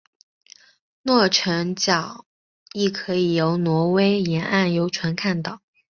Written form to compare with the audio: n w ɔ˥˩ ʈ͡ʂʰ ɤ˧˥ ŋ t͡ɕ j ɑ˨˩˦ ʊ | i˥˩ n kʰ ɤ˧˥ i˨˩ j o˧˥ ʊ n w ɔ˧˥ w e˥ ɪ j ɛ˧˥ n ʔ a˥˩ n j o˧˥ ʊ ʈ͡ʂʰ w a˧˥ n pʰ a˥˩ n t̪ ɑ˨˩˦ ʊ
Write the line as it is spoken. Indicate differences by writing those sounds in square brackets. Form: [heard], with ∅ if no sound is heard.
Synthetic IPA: n w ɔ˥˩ ʈ͡ʂʰ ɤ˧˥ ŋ t͡ɕ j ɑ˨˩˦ ʊ | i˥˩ [∅] kʰ ɤ˧˥ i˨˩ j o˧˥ ʊ n w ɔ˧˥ w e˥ ɪ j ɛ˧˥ n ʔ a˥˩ n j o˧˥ ʊ ʈ͡ʂʰ w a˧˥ n [kʰ] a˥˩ n t̪ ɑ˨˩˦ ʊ

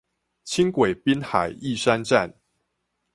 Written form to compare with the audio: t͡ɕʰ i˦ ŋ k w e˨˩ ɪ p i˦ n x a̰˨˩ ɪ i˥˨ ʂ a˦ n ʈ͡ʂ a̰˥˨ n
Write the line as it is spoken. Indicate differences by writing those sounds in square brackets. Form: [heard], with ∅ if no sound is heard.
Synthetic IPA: t͡ɕʰ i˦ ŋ k w e˨˩ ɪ p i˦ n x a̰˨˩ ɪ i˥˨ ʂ a˦ n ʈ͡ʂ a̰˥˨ n

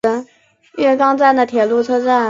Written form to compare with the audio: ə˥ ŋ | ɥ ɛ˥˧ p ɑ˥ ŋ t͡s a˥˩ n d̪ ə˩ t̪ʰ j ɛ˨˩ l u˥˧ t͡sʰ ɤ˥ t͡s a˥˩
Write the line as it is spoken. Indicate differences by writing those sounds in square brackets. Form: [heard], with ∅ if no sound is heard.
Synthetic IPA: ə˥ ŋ | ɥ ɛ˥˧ [k] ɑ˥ ŋ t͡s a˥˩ n d̪ ə˩ t̪ʰ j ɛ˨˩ l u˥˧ t͡sʰ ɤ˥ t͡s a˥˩

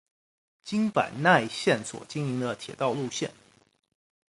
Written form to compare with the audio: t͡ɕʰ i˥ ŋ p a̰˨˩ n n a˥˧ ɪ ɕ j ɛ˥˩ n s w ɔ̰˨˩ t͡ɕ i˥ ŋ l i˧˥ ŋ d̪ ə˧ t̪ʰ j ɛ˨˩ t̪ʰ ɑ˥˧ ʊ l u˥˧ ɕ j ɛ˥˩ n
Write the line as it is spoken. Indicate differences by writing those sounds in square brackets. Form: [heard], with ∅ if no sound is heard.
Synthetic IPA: [t͡ɕ] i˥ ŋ p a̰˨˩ n n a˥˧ ɪ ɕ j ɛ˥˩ n s w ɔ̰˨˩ t͡ɕ i˥ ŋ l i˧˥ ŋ d̪ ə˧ t̪ʰ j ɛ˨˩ [t̪] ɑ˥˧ ʊ l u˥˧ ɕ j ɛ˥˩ n

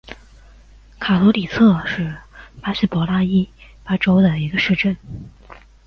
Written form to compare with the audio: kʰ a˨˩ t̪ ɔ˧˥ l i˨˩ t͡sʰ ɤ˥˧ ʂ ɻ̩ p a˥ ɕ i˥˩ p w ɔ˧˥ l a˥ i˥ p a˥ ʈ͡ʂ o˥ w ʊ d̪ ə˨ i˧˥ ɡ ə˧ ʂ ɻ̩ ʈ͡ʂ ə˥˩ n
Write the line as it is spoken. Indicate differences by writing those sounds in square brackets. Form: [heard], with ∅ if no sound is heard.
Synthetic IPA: kʰ a˨˩ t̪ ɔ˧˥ l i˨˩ t͡sʰ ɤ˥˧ ʂ ɻ̩ p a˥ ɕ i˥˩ p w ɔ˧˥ l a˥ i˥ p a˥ ʈ͡ʂ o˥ [∅] ʊ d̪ ə˨ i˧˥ ɡ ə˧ ʂ ɻ̩ ʈ͡ʂ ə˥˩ n

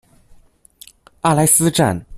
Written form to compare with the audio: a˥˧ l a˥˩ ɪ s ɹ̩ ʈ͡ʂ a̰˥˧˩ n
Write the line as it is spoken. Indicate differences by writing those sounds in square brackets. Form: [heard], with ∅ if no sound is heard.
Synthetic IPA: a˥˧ l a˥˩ ɪ s ɹ̩ ʈ͡ʂ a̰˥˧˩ n

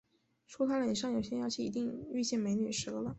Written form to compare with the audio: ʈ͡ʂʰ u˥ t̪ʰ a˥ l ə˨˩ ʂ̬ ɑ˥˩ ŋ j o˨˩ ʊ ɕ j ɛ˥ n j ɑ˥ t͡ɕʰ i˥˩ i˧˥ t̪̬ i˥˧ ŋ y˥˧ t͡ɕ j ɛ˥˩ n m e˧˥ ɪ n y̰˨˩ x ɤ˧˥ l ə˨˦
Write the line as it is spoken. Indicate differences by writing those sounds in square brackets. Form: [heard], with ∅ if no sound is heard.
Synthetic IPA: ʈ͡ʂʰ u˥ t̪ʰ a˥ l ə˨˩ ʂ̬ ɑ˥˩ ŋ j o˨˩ ʊ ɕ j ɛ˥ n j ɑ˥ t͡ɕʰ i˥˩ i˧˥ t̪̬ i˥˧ ŋ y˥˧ t͡ɕ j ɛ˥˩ n m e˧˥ ɪ n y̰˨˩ [ʂ] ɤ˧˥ l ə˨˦

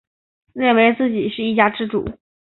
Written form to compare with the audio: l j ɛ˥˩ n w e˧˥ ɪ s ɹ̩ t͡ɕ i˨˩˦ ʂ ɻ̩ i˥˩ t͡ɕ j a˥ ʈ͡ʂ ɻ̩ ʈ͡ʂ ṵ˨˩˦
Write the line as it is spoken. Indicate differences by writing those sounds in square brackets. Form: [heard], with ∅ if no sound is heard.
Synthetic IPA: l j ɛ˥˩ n w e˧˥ ɪ [t͡s] ɹ̩ t͡ɕ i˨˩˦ ʂ ɻ̩ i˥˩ t͡ɕ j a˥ ʈ͡ʂ ɻ̩ ʈ͡ʂ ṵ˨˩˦

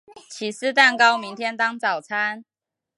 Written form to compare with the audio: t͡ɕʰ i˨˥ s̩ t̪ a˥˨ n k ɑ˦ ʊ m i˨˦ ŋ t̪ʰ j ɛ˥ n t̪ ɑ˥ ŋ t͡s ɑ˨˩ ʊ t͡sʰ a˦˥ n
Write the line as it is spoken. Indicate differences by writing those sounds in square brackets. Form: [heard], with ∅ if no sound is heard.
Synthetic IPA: t͡ɕʰ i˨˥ s̩ t̪ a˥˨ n k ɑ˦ ʊ m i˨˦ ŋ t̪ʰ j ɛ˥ n t̪ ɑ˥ ŋ t͡s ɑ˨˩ ʊ t͡sʰ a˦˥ n

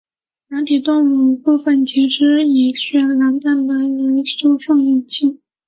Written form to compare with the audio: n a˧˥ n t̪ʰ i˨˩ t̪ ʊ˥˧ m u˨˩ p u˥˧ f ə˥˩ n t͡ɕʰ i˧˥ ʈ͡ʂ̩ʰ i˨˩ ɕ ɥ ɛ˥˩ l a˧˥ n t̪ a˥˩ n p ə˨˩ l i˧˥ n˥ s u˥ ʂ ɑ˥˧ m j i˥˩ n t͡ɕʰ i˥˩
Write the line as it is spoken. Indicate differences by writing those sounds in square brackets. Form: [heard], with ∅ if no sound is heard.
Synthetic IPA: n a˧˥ n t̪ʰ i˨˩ t̪ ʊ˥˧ [ŋ] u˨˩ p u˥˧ f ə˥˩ n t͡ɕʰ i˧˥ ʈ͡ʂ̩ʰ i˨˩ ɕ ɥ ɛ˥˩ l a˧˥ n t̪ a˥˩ n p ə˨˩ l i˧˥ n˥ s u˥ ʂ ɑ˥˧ [ŋ] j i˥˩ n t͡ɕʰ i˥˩

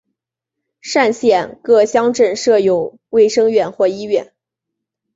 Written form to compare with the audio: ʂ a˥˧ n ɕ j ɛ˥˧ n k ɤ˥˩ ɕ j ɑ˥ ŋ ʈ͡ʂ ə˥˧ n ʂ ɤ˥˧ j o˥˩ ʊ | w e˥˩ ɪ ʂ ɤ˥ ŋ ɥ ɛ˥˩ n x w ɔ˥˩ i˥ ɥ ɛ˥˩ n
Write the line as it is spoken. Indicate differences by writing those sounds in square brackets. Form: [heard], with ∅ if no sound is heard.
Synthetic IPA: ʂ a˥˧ n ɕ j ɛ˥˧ n k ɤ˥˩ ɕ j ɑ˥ ŋ ʈ͡ʂ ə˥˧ n ʂ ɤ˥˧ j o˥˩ ʊ | w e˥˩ ɪ ʂ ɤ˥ ŋ ɥ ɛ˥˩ n x w ɔ˥˩ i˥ ɥ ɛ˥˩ n

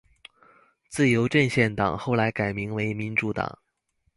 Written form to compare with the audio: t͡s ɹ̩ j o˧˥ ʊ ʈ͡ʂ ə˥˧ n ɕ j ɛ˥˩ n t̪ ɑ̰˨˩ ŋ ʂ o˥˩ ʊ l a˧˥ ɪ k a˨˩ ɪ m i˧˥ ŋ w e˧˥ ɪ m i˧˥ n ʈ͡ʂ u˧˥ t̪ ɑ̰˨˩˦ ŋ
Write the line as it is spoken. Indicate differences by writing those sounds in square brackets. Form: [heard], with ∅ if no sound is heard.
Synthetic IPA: t͡s ɹ̩ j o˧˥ ʊ ʈ͡ʂ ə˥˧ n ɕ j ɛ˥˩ n t̪ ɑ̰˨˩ ŋ [x] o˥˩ ʊ l a˧˥ ɪ k a˨˩ ɪ m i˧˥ ŋ w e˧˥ ɪ m i˧˥ n ʈ͡ʂ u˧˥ t̪ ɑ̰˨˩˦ ŋ

